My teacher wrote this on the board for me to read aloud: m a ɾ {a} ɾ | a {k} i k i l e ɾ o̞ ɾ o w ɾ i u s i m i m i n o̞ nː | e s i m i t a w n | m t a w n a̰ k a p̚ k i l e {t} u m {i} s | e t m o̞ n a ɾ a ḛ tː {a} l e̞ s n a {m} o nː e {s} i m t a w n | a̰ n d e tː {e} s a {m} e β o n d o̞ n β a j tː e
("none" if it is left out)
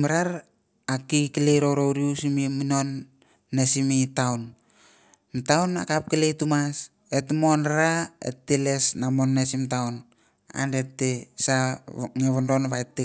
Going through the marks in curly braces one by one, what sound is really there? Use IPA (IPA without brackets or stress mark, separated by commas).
a, k, t, a, e, m, s, e, ŋ